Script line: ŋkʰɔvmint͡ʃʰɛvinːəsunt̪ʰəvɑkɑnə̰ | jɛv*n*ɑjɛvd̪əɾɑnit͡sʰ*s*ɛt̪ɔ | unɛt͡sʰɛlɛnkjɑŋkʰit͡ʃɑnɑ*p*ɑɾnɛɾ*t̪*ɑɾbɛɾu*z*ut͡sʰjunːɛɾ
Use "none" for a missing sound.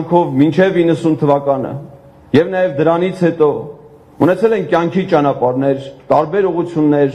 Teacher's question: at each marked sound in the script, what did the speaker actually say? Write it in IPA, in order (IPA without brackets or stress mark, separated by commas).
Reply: n, h, p, t̪, ʁ